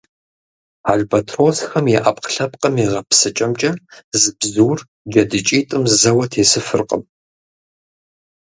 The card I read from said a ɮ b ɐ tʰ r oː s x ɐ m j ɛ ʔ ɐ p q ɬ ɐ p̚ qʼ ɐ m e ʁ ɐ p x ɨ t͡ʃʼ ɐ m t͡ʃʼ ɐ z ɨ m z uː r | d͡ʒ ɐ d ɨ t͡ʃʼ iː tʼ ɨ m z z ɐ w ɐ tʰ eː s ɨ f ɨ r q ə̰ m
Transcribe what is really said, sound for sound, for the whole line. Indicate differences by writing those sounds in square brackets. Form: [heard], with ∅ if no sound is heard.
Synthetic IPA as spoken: a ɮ b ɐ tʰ r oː s x ɐ m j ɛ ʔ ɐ p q ɬ ɐ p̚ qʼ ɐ m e ʁ ɐ p [s] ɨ t͡ʃʼ ɐ m t͡ʃʼ ɐ z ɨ [b] z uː r | d͡ʒ ɐ d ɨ t͡ʃʼ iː tʼ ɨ m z z ɐ w ɐ tʰ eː s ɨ f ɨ r q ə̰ m